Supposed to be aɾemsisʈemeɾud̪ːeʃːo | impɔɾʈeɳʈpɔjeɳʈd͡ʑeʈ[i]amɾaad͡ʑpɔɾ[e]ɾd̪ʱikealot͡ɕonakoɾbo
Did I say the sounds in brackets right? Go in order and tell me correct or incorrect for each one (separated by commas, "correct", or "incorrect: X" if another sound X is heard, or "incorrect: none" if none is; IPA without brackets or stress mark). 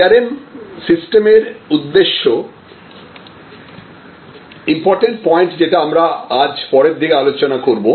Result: incorrect: a, correct